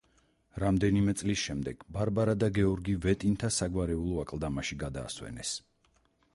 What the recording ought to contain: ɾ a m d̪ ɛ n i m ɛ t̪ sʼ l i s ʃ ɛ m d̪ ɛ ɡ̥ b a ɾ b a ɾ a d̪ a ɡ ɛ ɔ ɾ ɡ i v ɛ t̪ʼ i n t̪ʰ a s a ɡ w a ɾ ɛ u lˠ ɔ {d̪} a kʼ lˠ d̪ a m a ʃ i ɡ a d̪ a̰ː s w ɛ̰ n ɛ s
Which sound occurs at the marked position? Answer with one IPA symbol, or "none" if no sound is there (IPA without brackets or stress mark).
none